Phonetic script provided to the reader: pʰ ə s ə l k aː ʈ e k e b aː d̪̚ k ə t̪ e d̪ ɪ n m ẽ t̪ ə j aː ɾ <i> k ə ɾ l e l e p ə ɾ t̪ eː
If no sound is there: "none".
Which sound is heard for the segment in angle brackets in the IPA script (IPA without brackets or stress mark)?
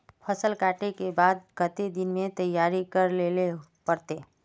i